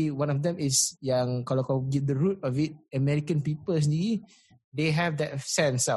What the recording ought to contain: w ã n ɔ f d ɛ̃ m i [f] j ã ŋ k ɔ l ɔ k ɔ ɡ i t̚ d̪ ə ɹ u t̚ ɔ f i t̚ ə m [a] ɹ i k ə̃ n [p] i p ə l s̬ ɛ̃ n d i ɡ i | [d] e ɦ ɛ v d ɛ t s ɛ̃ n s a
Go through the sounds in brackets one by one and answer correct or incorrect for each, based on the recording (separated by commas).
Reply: incorrect, incorrect, correct, correct